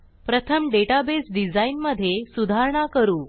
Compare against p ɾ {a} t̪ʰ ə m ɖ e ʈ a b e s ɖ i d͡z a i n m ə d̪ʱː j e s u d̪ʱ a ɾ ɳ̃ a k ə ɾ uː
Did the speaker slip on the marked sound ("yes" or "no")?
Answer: yes